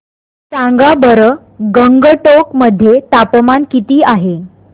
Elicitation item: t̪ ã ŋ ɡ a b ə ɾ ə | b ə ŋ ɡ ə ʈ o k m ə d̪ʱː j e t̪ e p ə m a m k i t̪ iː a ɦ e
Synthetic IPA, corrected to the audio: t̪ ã ŋ ɡ a b ə ɾ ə | ɡ ə ŋ ɡ ə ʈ o k m ə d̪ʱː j e t̪ a p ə m a n k i t̪ iː a ɦ e